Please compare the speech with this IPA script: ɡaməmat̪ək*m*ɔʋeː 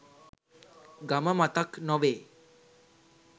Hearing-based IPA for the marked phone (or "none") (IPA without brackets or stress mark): n